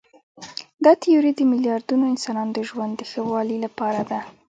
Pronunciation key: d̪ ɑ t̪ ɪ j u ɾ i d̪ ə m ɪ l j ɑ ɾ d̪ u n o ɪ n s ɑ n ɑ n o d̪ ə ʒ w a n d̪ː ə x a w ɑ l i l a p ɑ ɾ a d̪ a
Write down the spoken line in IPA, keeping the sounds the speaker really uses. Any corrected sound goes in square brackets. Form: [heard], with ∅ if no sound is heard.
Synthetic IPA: d̪ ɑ t̪ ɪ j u ɾ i d̪ ə m ɪ l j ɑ ɾ d̪ u n o ɪ n s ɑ n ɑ n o d̪ ə ʒ w a n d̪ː ə x [ə] w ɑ l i l a p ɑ ɾ a d̪ a